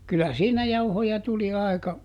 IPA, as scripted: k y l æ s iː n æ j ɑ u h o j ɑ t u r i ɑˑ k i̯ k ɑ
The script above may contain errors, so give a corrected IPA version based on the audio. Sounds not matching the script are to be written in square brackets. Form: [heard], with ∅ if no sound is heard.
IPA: k y l æ s iː n æ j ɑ u h o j ɑ t u [l] i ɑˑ [∅] i̯ k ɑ